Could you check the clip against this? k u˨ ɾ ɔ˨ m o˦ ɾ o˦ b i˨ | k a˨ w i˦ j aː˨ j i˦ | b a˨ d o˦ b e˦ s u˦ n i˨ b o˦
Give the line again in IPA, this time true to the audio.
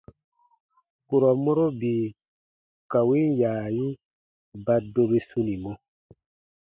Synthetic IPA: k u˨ ɾ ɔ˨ m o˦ ɾ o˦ b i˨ | k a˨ w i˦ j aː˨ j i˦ | b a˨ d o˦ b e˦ s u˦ n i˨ m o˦

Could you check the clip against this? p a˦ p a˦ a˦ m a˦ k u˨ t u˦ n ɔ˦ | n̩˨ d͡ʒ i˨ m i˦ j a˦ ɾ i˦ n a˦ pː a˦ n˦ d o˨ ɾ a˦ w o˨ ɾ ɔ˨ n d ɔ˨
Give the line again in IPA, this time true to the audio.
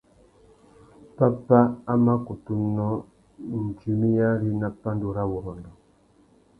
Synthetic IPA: p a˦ p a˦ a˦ m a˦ k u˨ t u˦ n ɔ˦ | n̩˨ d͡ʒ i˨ m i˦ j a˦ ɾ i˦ n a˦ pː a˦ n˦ d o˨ ɾ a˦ w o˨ ɾ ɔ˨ n d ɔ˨

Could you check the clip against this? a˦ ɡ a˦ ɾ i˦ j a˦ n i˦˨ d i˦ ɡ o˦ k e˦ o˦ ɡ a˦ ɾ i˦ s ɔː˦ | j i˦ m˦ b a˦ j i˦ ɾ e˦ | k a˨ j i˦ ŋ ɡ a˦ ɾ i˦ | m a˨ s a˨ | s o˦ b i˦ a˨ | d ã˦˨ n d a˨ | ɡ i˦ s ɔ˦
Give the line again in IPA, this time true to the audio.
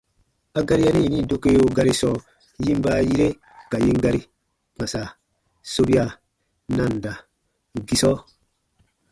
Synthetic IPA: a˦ ɡ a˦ ɾ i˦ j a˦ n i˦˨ n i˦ d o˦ k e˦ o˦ ɡ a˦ ɾ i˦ s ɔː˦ | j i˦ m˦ b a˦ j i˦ ɾ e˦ | k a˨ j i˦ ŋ ɡ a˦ ɾ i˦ | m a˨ s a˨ | s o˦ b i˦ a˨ | n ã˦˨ n d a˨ | ɡ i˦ s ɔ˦

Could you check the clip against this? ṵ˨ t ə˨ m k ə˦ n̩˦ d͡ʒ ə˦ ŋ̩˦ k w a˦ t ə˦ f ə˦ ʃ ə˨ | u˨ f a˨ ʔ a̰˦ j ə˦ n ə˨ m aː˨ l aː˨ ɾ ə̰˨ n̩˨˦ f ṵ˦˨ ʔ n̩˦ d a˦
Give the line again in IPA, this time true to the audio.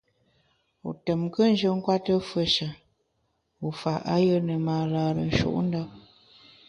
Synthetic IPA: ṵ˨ t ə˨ m k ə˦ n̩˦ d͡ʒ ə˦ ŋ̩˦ k w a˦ t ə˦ f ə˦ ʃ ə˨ | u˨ f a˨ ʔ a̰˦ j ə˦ n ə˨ m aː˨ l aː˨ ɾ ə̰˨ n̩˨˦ ʃ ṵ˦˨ ʔ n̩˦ d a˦

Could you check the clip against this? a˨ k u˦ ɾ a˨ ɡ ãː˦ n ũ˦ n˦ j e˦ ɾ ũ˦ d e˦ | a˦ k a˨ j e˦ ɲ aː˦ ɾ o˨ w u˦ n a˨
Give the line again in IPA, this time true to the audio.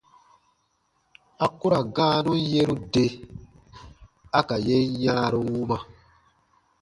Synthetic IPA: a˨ k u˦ ɾ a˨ ɡ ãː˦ n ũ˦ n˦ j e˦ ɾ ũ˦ d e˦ | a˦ k a˨ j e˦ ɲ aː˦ ɾ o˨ w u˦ m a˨

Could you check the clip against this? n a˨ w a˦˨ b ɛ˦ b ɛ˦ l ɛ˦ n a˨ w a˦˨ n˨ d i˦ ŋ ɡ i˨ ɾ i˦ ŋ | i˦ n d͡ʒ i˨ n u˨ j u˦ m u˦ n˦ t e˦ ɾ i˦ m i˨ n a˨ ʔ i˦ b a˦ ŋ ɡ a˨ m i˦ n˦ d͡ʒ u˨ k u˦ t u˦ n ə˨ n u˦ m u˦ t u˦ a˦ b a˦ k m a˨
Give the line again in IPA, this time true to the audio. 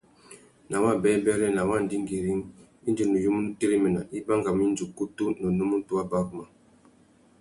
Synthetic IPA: n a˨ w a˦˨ b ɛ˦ b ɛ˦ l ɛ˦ n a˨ w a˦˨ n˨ d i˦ ŋ ɡ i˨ ɾ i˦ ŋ | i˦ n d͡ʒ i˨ n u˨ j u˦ m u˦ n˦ t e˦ ɾ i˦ m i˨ n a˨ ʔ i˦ b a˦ ŋ ɡ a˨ m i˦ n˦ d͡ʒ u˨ k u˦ t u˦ n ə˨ n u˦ m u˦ t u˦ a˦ b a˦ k m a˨

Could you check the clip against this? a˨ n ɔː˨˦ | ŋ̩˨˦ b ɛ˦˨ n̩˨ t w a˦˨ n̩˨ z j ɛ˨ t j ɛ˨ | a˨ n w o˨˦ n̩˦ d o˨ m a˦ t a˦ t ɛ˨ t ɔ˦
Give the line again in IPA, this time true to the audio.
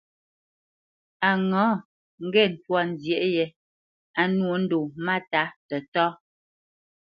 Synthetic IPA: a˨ ŋ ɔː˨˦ | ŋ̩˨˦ ɡ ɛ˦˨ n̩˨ t w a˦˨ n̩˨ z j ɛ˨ ʔ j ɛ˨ | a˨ n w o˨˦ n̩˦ d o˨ m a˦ t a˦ t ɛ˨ t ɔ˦

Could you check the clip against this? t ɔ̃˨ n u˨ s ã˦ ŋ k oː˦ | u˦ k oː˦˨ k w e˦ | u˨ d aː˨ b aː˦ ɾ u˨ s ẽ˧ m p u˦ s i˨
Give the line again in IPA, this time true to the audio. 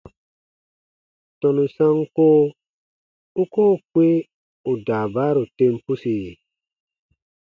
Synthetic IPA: t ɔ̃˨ n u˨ s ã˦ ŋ k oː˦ | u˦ k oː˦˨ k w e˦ | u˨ d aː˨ b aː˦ ɾ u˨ t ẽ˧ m p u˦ s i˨

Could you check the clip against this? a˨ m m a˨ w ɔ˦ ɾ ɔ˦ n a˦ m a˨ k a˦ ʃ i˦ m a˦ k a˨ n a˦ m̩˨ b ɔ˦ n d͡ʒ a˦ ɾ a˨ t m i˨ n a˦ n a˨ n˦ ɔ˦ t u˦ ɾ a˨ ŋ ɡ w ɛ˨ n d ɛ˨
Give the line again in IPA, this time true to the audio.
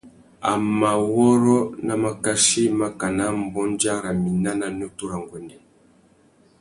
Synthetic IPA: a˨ m m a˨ w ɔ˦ ɾ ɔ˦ n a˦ m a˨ k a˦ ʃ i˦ m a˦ k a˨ n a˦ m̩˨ b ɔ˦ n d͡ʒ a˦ ɾ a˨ m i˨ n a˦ n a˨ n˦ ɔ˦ t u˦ ɾ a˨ ŋ ɡ w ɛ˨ n d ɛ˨

